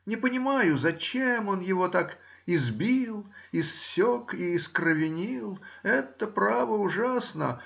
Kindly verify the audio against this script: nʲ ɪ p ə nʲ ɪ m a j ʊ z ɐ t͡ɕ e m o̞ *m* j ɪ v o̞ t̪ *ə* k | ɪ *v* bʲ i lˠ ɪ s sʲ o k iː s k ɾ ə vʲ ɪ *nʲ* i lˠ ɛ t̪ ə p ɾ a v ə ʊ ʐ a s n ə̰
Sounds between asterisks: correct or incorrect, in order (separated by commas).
incorrect, incorrect, incorrect, correct